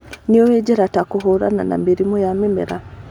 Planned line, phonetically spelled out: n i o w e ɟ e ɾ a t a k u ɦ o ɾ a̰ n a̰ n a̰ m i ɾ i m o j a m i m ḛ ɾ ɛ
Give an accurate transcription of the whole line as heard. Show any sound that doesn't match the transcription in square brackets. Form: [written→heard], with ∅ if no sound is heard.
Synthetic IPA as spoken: n i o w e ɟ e ɾ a t a k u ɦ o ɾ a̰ n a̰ n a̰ m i ɾ i m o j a m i m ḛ ɾ [ɛ→a]